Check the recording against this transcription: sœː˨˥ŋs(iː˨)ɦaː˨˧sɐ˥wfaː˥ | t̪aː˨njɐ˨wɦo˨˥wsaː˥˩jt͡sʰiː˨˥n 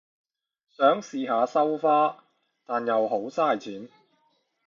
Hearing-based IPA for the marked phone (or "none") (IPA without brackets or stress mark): iː˨